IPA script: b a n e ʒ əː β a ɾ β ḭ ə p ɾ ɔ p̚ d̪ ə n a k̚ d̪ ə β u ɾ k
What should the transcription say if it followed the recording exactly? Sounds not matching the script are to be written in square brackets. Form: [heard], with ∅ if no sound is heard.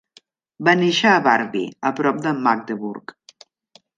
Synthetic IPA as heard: b a n e [ʃ] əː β a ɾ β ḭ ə p ɾ ɔ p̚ d̪ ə [m] a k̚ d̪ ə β u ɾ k